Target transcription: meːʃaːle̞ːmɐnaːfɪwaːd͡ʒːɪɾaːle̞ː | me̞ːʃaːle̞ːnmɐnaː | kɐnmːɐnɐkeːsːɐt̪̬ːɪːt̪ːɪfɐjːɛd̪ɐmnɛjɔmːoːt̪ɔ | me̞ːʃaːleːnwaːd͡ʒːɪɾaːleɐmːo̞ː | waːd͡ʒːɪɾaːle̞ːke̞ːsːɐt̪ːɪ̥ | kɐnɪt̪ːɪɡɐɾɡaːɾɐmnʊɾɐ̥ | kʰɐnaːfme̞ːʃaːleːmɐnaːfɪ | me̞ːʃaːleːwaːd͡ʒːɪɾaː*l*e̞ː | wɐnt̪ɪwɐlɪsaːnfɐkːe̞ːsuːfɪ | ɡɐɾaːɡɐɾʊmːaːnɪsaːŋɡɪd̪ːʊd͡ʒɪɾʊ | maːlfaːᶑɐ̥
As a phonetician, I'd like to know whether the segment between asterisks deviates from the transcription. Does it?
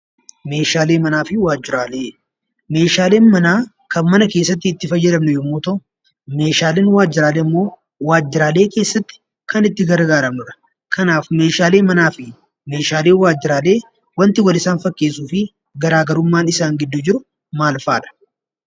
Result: no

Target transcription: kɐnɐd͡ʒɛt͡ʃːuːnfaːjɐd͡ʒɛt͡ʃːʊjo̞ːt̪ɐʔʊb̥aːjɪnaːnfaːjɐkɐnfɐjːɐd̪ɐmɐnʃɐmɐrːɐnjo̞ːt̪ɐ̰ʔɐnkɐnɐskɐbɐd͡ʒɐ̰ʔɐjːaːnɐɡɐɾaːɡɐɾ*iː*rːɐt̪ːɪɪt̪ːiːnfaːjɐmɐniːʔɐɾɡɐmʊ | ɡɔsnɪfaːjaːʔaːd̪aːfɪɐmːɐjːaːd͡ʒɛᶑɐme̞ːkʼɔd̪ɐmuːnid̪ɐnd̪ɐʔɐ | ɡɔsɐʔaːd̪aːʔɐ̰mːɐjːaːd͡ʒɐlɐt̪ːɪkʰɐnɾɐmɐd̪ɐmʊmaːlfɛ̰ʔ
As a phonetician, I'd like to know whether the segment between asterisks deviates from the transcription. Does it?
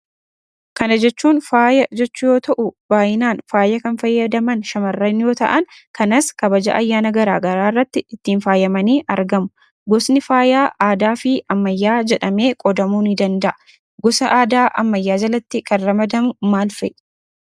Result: yes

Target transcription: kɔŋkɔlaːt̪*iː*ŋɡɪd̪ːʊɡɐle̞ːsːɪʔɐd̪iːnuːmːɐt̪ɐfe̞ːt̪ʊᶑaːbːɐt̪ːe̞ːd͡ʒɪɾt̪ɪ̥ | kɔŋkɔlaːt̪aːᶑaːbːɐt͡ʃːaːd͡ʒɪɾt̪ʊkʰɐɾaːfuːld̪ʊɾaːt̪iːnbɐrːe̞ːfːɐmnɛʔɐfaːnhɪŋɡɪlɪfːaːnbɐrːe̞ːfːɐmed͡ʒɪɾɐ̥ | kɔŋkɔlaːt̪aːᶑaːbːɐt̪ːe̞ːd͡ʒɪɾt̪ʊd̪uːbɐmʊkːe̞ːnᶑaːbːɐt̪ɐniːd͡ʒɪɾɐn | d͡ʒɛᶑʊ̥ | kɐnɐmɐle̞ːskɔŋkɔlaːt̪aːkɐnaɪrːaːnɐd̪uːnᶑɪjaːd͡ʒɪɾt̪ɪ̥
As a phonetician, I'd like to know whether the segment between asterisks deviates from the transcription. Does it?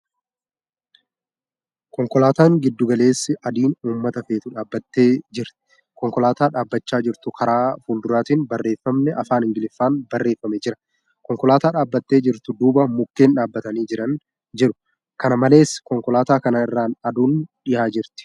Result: yes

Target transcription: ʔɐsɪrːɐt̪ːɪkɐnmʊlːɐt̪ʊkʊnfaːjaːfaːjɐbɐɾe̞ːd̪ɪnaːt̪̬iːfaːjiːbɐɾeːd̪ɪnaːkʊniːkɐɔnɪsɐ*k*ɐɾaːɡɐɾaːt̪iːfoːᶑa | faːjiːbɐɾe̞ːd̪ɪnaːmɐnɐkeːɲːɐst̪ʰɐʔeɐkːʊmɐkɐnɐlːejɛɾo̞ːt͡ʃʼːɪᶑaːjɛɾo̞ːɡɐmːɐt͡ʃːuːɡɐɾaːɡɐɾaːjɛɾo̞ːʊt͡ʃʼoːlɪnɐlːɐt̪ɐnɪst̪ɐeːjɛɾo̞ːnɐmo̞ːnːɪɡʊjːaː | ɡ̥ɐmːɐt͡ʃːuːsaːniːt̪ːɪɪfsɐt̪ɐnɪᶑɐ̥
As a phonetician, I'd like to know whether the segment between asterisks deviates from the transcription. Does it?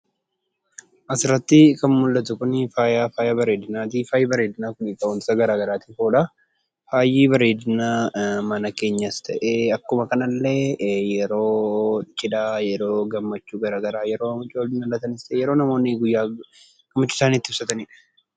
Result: yes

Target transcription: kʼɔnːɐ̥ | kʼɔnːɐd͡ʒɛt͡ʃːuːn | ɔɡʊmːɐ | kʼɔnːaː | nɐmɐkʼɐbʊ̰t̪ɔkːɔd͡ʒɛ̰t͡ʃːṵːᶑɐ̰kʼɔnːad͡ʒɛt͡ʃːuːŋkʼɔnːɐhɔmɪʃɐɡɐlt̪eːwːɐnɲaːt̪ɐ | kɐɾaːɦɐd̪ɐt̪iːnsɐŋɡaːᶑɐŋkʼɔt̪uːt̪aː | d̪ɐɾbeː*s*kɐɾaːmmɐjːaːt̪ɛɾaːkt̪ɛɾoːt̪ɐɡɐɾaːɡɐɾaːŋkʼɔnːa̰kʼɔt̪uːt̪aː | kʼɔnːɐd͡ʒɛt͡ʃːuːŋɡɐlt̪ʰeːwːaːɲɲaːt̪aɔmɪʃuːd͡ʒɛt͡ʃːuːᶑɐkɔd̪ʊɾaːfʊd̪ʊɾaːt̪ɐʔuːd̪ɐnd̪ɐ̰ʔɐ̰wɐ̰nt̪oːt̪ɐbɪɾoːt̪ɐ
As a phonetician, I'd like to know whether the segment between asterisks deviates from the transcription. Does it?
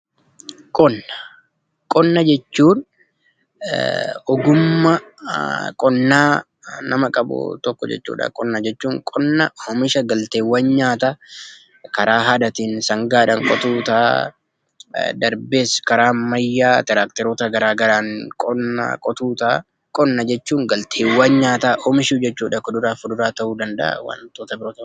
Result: no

